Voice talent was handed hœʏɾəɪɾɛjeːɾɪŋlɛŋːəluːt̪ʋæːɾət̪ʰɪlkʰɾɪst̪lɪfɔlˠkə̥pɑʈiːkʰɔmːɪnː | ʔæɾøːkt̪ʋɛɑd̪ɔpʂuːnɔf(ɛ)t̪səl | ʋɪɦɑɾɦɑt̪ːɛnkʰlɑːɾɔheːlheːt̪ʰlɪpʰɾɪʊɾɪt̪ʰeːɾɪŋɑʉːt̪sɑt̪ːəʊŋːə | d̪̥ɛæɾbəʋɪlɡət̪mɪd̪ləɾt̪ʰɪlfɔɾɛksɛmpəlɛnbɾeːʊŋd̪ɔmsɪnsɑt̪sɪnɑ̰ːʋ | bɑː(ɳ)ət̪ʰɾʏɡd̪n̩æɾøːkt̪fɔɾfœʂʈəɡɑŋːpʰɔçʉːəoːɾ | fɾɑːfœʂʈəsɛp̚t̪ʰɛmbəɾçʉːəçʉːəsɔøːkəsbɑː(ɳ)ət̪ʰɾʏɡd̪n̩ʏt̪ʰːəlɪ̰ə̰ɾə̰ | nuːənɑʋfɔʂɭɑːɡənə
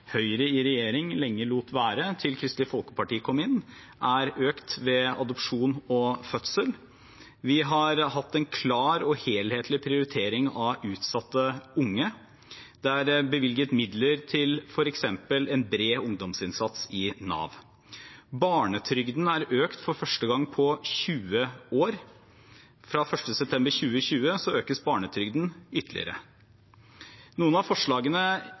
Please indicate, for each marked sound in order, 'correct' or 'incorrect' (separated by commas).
incorrect, correct, correct